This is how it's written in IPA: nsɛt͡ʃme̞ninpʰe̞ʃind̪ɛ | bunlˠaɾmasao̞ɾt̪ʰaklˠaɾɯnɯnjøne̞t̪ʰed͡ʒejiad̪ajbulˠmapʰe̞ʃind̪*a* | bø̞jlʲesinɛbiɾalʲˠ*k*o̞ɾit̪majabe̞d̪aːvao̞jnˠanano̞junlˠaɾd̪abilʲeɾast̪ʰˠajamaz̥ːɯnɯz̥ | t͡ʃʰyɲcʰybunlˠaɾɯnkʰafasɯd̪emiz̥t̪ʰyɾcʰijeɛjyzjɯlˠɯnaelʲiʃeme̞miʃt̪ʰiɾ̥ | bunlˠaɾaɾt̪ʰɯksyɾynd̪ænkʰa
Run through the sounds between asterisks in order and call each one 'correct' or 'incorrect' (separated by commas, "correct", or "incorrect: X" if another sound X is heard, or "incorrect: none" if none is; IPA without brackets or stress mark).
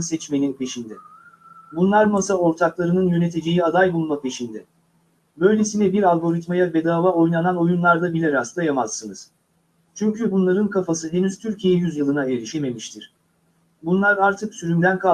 incorrect: ɛ, incorrect: ɡ